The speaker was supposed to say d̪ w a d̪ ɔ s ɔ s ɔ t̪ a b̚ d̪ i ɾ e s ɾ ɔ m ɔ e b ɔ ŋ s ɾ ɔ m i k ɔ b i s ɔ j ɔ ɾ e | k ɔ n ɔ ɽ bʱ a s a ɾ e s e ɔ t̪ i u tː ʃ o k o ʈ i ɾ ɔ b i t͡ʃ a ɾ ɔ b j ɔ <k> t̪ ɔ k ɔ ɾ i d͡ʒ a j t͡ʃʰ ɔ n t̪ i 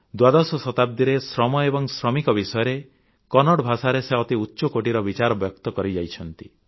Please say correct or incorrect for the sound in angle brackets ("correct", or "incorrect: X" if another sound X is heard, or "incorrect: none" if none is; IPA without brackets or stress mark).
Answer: correct